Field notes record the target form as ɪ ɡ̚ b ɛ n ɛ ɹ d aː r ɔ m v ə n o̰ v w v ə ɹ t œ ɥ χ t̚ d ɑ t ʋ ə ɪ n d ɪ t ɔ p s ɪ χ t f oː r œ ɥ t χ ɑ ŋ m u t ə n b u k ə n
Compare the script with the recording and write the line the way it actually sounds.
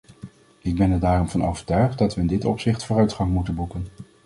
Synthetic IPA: ɪ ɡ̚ b ɛ n ɛ ɹ d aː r ɔ m v ɑ n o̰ w v ə ɹ t œ ɥ χ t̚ d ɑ t ʋ ə ɪ n d ɪ t ɔ p s ɪ χ t f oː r œ ɥ t χ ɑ ŋ m u t ə n b u k ə n